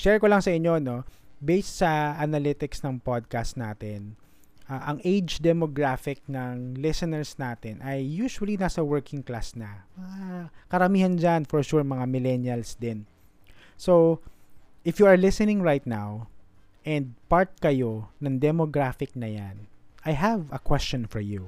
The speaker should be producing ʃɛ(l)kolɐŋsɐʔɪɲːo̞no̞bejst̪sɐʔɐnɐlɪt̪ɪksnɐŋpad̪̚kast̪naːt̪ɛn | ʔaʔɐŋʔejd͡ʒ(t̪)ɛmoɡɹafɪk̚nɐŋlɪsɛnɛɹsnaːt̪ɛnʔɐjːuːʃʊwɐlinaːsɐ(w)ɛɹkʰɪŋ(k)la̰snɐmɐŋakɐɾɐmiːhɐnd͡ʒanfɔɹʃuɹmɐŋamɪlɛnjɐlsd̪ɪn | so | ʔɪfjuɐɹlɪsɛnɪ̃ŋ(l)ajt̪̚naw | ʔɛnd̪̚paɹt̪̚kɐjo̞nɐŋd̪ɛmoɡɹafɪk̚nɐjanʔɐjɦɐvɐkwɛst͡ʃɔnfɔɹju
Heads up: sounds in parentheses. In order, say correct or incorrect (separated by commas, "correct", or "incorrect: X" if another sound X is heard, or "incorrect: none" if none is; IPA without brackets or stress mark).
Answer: incorrect: ɹ, incorrect: d̪, correct, correct, incorrect: ɹ